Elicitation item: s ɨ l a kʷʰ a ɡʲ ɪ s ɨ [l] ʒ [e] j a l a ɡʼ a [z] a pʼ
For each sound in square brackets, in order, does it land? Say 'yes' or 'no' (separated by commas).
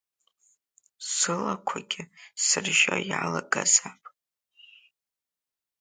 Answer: no, no, yes